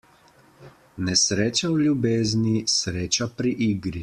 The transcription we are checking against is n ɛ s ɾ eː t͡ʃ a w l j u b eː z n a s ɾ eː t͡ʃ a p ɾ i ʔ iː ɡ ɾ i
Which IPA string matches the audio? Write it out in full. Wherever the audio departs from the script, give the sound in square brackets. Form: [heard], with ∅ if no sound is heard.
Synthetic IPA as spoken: n ɛ s ɾ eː t͡ʃ a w l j u b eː z n [i] s ɾ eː t͡ʃ a p ɾ i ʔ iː ɡ ɾ i